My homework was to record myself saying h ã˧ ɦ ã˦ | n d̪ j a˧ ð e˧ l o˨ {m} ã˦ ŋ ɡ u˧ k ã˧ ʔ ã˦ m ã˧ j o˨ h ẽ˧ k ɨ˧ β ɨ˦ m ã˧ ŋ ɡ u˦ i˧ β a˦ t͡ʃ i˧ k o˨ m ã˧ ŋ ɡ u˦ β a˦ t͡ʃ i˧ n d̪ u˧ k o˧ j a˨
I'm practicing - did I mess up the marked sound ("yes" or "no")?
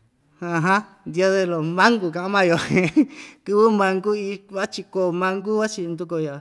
no